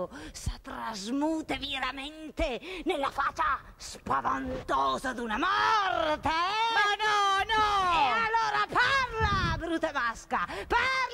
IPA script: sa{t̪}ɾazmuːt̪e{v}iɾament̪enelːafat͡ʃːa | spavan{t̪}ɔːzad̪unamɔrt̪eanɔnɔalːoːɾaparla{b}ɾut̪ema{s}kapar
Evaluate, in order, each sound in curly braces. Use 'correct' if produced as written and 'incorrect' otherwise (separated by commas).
correct, correct, correct, correct, correct